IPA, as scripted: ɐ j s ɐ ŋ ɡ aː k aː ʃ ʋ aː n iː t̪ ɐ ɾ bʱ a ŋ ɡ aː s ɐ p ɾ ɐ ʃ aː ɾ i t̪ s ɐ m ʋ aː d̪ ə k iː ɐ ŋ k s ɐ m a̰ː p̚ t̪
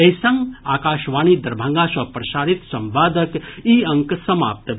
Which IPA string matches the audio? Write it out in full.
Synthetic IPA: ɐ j s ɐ ŋ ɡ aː k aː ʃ ʋ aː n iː d̪ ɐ ɾ bʱ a ŋ ɡ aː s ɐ p ɾ ɐ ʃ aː ɾ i t̪ s ɐ m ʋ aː d̪ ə k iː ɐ ŋ k s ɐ m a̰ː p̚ t̪